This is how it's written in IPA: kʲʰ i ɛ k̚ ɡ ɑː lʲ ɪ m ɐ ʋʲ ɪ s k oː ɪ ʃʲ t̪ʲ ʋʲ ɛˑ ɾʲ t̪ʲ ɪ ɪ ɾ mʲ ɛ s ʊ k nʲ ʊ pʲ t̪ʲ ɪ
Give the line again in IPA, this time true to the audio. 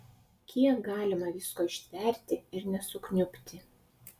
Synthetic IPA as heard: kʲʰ i ɛ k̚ ɡ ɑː lʲ ɪ m ɐ ʋʲ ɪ s k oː ɪ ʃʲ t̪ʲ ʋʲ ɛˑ ɾʲ t̪ʲ ɪ ɪ ɾ nʲ ɛ s ʊ k nʲ ʊ pʲ t̪ʲ ɪ